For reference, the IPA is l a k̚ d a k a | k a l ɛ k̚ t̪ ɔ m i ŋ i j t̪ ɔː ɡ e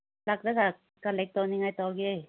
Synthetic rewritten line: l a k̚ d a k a | k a l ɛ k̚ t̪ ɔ n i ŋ a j t̪ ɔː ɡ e